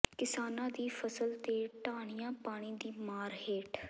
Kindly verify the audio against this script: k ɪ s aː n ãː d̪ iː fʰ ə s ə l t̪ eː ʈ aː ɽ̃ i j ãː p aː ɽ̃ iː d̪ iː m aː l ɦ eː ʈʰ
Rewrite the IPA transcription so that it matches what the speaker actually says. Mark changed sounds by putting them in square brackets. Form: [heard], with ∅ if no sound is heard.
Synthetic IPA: k ɪ s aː n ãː d̪ iː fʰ ə s ə l t̪ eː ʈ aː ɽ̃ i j ãː p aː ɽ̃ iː d̪ iː m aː [ɾ] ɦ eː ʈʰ